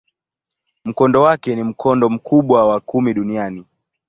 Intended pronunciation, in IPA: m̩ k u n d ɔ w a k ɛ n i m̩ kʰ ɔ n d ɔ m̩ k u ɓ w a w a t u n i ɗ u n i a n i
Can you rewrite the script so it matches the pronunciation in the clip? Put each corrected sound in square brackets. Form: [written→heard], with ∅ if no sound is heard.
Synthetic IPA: m̩ k [u→ɔ] n d ɔ w a k ɛ n i m̩ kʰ ɔ n d ɔ m̩ k u ɓ w a w a [t→k] u [n→m] i ɗ u n i a n i